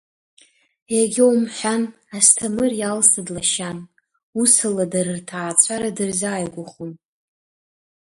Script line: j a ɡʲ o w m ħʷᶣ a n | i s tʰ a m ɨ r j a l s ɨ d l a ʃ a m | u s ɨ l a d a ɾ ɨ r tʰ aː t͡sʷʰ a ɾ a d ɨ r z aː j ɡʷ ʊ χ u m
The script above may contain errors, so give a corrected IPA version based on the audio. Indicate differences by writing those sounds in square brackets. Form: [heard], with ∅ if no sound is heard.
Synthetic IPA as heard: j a ɡʲ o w m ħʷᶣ a n | [a] s tʰ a m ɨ r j a l s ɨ d l a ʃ a [n] | u s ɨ l a d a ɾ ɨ r tʰ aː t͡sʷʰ a ɾ a d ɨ r z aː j ɡʷ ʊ χ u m